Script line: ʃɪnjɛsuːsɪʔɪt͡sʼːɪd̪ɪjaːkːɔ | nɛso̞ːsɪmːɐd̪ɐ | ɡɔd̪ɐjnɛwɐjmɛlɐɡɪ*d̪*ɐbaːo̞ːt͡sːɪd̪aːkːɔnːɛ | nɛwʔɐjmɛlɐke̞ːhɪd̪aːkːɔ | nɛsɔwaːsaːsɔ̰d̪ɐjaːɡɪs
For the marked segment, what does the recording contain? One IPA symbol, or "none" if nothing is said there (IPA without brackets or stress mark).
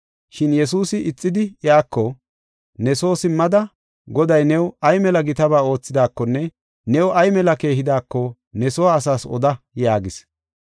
t̪